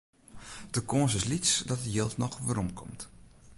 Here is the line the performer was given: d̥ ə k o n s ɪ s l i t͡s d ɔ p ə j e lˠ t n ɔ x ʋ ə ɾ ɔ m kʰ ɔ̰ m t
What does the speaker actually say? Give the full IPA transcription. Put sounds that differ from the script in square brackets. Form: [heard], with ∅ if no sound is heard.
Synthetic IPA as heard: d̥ ə k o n s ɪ s l i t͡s d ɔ [t] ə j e lˠ t n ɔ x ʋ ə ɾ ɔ m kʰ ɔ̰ m t